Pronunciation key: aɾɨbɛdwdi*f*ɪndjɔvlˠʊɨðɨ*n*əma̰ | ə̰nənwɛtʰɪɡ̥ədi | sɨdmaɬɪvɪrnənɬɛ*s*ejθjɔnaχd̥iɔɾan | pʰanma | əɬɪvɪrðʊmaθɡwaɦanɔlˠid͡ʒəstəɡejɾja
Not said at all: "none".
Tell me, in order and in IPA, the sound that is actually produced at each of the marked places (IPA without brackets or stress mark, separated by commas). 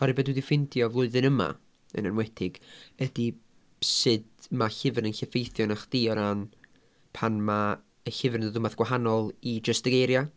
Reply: f, n, f